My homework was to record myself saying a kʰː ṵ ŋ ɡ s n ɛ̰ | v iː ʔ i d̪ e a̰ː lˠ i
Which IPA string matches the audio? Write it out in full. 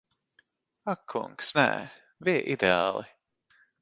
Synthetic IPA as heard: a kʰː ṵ ŋ k s n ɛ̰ | v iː ʔ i d̪ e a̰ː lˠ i